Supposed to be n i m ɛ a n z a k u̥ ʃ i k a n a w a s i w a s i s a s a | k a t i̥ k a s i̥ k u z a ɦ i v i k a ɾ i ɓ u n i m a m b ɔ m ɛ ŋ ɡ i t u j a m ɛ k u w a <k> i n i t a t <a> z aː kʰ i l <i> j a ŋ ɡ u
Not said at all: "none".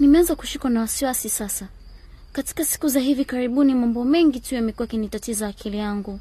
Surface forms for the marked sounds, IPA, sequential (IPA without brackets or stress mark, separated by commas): k, i, i